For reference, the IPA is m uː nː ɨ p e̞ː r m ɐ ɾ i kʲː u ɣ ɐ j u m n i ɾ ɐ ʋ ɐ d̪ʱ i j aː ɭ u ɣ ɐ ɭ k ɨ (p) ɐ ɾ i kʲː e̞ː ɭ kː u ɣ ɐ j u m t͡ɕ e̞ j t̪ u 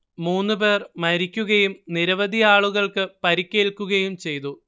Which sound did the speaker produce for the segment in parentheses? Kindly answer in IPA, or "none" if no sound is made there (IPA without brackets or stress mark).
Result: p